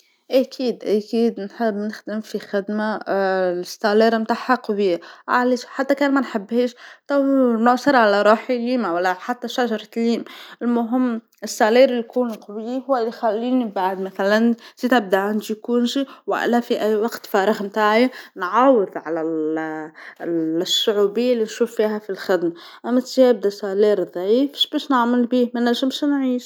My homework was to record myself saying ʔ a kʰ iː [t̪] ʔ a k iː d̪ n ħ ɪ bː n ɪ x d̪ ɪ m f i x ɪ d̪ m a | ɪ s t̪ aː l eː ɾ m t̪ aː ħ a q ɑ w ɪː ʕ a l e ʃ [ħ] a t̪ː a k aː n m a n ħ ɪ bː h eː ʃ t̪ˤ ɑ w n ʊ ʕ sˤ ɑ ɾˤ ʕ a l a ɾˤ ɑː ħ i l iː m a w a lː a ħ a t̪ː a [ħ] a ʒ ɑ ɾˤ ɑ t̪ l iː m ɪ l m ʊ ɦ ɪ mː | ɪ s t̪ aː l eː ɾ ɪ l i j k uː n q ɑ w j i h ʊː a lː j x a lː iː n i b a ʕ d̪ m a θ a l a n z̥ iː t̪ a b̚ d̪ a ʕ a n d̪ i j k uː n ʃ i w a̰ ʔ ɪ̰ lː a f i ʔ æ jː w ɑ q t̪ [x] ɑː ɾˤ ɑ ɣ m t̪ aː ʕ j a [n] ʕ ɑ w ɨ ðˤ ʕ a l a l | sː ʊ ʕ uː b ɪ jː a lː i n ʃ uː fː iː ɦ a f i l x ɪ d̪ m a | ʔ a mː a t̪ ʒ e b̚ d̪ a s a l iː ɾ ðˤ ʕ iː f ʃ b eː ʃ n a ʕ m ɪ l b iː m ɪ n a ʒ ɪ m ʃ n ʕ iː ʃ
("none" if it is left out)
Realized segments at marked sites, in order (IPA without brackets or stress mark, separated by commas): d̪, ħ, ʃ, f, n